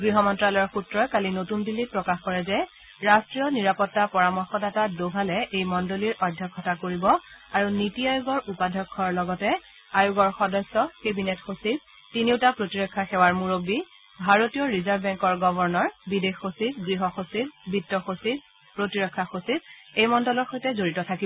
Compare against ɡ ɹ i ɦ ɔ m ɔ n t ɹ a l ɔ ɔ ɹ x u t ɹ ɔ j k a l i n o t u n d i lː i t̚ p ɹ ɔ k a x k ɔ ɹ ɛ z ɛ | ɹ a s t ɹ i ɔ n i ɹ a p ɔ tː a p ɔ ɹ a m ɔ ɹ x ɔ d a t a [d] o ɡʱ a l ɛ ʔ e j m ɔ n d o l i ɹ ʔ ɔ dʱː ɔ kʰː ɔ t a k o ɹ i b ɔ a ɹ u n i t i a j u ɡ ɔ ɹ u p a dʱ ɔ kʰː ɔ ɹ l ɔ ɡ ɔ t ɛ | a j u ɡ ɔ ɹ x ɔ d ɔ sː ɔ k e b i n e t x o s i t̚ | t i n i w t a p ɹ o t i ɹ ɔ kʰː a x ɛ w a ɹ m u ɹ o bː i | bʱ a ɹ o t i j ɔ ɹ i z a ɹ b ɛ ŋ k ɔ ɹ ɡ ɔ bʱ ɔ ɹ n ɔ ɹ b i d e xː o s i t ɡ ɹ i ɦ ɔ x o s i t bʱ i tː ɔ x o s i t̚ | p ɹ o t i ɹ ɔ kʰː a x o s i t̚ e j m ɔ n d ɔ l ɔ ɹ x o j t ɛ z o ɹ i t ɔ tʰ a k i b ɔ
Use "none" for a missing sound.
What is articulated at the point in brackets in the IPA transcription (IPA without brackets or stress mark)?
d